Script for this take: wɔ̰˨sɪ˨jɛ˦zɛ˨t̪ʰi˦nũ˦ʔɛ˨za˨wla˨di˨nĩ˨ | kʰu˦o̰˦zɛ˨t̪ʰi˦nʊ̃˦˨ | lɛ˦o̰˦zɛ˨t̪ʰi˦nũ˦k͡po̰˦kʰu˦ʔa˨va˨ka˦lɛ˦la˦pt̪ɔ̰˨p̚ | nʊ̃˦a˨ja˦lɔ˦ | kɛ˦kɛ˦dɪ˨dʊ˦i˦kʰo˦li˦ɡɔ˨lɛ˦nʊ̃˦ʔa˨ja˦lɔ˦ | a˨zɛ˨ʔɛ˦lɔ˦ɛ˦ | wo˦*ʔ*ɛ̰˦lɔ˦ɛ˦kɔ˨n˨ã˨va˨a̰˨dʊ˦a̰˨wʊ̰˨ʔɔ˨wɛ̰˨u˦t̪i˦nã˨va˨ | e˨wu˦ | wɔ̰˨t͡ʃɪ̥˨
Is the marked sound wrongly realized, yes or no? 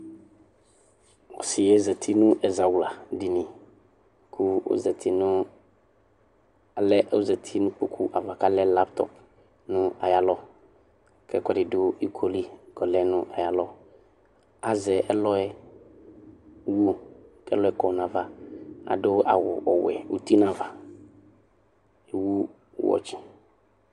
yes